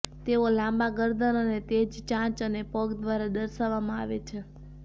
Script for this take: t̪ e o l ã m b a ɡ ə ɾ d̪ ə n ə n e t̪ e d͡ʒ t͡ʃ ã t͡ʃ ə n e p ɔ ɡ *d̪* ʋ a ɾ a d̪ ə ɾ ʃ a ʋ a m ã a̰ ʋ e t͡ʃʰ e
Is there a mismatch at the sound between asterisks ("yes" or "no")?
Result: no